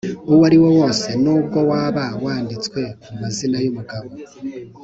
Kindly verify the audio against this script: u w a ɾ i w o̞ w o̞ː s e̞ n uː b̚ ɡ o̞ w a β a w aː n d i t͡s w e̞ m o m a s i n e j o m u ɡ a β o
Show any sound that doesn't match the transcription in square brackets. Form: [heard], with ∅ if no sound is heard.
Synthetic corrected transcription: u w a ɾ i w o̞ w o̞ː s e̞ n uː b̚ ɡ o̞ w a β a w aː n d i t͡s w e̞ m [u] m a [z] i n [a] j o m u ɡ a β o